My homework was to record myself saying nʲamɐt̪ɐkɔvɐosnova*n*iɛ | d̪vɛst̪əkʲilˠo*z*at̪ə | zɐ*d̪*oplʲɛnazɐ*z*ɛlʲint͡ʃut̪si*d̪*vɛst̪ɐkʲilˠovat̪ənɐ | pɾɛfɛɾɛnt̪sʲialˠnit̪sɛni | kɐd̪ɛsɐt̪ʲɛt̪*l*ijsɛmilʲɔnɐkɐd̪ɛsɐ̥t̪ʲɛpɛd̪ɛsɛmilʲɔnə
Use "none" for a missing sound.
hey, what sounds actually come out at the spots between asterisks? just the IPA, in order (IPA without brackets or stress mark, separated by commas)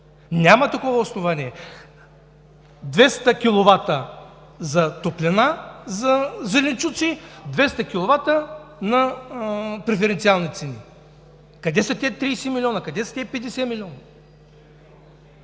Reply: n, v, t̪, z, d̪, ɾ